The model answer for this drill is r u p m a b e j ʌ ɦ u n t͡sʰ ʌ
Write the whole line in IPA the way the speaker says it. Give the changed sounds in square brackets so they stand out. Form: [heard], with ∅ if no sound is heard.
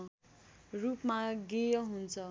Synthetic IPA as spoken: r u p m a [ɡ] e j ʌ ɦ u n t͡sʰ ʌ